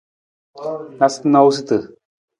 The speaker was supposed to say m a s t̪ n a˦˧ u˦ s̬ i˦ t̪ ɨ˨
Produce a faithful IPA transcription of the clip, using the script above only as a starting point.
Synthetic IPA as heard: n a s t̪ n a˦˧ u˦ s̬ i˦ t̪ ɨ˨